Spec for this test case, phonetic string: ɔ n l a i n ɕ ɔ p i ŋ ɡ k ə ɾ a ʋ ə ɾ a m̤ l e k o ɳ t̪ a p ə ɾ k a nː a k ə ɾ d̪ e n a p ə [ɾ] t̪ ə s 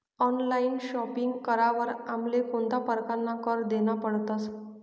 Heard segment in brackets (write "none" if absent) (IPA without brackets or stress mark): ɽ